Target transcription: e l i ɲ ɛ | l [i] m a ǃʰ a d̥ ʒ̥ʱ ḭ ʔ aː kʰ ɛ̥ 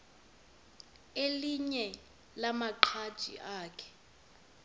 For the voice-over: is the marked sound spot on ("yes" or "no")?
no